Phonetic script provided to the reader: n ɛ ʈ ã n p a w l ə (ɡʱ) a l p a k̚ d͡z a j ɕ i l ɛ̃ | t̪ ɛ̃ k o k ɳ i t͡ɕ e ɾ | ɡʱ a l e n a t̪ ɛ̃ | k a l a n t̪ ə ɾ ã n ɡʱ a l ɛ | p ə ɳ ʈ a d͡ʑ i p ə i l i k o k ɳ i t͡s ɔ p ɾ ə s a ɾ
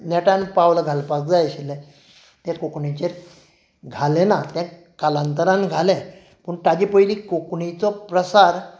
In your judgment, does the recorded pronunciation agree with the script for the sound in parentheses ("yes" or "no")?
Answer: yes